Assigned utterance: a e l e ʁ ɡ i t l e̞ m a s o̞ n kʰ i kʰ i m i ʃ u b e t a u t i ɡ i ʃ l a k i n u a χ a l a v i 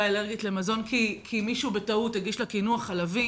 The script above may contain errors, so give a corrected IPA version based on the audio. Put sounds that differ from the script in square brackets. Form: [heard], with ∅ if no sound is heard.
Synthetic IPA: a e l e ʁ ɡ i t l e̞ m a [z] o̞ n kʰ i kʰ i m i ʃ u b e t a u t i ɡ i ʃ l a k i n u a χ a l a v i